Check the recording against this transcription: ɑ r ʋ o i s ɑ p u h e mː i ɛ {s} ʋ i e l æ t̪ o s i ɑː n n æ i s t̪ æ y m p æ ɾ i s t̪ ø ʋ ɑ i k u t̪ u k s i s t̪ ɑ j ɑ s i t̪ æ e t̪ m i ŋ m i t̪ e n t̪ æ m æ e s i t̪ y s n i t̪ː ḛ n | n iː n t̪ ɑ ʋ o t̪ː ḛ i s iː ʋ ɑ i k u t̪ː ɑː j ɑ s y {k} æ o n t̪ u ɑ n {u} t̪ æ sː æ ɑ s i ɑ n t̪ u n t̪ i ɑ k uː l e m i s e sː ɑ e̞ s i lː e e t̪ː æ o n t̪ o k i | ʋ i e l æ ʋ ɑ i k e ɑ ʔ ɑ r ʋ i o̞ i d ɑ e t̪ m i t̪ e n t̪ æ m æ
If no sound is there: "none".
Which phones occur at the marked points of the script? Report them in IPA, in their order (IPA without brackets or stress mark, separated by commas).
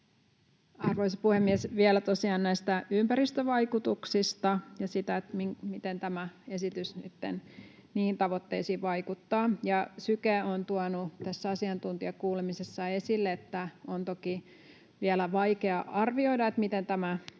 s, k, u